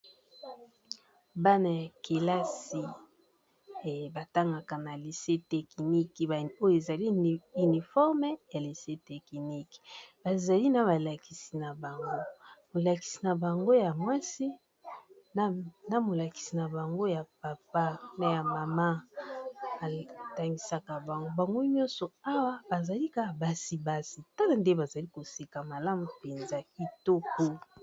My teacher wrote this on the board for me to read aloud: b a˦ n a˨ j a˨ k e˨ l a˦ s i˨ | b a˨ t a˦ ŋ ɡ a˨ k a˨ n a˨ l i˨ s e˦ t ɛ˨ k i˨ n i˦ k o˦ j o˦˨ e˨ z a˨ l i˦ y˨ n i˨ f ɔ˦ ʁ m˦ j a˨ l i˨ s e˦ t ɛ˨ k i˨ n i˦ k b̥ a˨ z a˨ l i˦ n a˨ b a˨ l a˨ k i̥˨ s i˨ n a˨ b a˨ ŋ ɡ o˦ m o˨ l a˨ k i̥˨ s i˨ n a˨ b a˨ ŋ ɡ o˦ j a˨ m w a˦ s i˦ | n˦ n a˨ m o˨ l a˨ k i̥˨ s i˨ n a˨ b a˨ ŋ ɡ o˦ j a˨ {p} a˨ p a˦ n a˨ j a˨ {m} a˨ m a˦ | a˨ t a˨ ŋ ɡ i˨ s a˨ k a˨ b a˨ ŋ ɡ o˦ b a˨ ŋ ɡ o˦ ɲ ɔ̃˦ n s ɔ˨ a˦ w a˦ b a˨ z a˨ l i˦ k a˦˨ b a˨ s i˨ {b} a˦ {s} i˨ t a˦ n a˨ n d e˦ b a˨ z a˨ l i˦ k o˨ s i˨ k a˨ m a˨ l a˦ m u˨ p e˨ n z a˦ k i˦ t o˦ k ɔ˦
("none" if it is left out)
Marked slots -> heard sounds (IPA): p, m, b, s

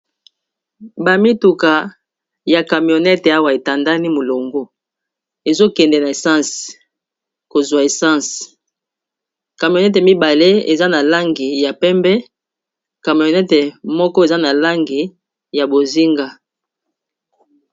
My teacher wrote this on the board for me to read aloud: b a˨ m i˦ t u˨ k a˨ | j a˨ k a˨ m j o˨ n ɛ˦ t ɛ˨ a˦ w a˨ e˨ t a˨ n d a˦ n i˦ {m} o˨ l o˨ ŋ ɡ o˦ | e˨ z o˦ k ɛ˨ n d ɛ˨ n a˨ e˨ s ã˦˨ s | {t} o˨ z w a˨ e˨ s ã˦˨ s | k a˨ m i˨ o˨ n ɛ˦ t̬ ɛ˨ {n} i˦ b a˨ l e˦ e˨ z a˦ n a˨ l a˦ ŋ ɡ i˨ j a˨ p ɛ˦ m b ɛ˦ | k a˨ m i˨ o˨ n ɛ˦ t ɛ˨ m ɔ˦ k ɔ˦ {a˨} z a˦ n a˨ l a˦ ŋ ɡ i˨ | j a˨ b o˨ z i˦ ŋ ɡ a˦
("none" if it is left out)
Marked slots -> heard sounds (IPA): m, k, m, e˨

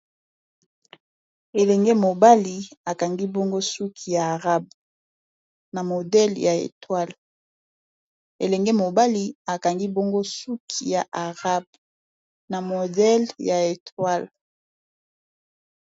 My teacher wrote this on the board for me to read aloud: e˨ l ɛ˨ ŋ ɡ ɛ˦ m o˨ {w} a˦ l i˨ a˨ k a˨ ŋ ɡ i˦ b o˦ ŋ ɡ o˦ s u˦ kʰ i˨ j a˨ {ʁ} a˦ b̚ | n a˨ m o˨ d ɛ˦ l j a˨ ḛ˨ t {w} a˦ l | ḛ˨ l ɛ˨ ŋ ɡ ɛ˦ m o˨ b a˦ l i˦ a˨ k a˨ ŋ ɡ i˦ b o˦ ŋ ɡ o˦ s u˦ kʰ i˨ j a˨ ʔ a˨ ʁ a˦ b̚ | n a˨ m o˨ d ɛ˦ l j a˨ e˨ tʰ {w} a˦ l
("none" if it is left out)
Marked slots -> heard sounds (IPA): b, ʁ, w, w

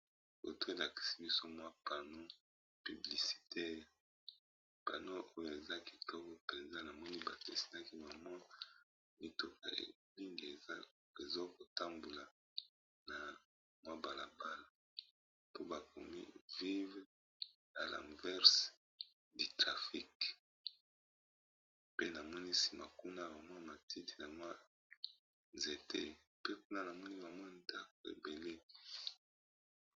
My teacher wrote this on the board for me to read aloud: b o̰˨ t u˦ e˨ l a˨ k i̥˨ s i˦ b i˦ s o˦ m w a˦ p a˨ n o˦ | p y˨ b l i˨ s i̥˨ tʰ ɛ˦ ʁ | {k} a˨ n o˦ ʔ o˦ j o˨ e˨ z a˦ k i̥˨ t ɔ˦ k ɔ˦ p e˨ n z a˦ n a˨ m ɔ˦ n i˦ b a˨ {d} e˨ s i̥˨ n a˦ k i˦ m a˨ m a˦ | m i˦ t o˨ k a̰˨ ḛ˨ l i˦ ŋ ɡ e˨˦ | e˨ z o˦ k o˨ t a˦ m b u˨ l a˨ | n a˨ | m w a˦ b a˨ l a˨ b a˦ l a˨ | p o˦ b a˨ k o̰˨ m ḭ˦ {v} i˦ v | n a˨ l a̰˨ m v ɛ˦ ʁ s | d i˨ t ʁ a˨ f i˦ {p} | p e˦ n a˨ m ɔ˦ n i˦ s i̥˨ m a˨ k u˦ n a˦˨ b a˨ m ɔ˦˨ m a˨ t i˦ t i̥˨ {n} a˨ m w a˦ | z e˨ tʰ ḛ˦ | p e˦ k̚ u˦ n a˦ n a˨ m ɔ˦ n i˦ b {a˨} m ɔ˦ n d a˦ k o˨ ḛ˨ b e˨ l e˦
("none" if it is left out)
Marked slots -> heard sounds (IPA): p, t, v, k, n, a˨

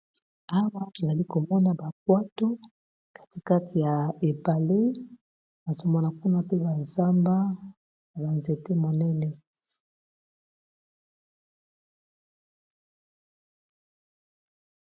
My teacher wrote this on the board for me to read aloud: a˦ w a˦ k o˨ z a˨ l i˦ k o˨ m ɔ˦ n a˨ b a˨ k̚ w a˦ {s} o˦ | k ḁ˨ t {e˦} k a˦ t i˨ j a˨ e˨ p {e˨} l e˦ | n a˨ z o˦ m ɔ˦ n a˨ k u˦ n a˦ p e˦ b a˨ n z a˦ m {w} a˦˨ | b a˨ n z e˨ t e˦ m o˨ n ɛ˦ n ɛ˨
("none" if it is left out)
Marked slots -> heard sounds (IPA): t, i˦, a˨, b

